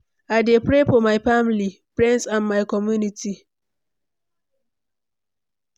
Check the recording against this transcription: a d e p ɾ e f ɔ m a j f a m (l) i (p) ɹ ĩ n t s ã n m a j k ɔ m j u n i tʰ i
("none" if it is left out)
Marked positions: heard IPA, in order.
l, p

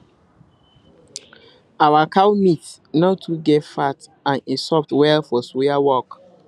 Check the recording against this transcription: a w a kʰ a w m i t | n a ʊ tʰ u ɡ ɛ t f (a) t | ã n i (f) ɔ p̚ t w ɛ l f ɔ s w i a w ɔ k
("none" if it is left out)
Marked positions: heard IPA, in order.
a, s

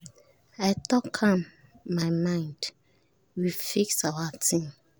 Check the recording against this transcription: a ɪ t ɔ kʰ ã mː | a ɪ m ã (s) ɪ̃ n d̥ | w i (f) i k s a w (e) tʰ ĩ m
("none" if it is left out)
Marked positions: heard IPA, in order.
none, f, a

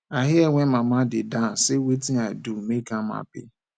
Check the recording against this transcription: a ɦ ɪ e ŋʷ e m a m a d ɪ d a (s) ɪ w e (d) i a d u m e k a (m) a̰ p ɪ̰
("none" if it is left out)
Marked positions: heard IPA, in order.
s, t, m

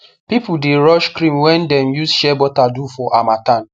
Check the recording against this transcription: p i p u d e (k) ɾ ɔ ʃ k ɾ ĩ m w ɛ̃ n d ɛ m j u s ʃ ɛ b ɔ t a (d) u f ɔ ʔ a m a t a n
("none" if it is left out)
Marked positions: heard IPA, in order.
none, d

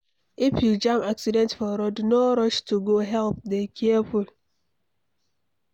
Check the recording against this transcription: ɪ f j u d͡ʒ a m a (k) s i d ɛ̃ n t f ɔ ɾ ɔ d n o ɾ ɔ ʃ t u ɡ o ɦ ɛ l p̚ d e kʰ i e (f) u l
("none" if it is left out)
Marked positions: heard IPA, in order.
k, f

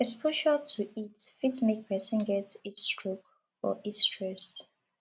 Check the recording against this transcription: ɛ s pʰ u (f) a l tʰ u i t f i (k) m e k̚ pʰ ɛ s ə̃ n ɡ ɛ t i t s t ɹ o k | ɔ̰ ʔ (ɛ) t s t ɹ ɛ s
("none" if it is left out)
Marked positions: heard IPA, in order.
ʃ, t, i

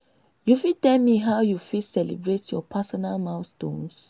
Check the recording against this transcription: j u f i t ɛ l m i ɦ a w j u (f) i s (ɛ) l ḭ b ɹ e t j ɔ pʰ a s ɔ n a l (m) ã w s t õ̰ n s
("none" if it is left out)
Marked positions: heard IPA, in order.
f, ɛ, m

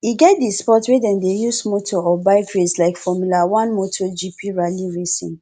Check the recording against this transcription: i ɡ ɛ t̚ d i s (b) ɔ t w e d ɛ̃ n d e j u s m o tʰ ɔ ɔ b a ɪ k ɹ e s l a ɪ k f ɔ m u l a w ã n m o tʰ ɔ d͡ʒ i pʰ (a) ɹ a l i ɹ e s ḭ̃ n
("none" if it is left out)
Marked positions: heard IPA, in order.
p, i

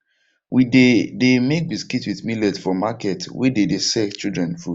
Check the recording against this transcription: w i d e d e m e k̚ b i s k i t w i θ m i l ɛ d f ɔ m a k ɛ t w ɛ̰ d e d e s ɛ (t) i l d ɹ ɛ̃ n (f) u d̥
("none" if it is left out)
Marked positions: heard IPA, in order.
t͡ʃ, f

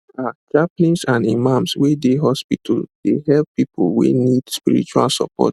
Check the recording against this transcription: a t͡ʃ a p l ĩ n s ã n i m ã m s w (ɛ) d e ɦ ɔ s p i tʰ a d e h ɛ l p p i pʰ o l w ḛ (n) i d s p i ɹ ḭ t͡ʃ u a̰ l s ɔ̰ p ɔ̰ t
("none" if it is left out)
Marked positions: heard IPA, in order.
e, n

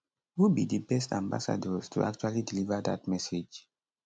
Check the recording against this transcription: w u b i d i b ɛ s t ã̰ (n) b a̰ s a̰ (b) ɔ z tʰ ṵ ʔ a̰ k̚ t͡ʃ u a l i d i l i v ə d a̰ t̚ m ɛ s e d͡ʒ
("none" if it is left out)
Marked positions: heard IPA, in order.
m, d

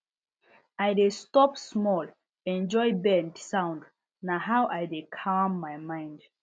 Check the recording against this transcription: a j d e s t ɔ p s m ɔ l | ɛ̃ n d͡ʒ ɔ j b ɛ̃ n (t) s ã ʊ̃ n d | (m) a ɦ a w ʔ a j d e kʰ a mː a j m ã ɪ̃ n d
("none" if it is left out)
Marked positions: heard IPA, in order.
d, n

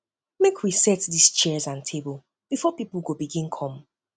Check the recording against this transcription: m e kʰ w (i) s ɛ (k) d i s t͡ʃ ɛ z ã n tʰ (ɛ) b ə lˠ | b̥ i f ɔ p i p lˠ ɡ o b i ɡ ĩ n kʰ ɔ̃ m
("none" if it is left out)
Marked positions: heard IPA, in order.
i, t, e

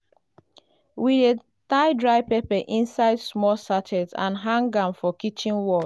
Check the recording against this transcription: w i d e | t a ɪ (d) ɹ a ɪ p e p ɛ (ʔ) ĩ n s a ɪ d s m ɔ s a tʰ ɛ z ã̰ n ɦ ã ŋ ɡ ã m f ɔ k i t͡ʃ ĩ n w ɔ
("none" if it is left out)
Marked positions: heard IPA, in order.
d, ʔ

